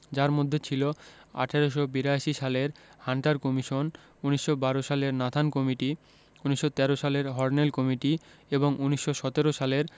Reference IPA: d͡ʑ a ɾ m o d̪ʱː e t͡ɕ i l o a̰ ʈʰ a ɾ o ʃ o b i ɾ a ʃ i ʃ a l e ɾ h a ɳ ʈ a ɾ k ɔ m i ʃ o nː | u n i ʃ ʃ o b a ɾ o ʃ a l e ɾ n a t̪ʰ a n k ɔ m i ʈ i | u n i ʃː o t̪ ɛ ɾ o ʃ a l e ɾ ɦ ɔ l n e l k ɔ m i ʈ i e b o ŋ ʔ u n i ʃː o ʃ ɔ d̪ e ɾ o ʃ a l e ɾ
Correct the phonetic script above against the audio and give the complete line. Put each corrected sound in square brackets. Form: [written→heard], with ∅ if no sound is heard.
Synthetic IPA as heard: d͡ʑ a ɾ m o d̪ʱː e [t͡ɕ→t͡ɕʰ] i l o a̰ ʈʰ a ɾ o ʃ o b i ɾ a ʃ i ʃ a l e ɾ h a ɳ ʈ a ɾ k ɔ m i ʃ o [nː→n] | u n i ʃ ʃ o b a ɾ o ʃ a l e ɾ n a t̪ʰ a n k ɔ m i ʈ i | u n i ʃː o t̪ ɛ ɾ o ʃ a l e ɾ ɦ ɔ [l→ɾ] n e l k ɔ m i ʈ i e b o ŋ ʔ u n i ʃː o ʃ ɔ [d̪→t̪] e ɾ o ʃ a l e ɾ